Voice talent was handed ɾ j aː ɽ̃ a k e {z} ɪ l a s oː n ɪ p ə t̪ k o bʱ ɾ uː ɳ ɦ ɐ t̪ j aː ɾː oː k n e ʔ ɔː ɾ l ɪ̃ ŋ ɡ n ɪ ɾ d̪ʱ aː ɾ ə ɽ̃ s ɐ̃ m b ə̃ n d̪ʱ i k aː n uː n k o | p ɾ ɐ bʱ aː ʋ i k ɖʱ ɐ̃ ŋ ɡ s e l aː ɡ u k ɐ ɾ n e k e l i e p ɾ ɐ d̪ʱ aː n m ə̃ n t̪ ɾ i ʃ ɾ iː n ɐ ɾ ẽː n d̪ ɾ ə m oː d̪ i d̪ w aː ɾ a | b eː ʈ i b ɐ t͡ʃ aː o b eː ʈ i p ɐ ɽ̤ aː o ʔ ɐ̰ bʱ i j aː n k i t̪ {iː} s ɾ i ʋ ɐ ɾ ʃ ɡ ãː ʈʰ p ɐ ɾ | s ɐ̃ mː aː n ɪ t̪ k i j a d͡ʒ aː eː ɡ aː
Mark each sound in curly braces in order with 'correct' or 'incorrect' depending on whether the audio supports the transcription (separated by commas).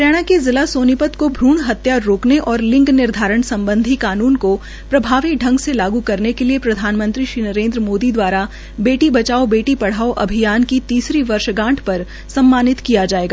correct, correct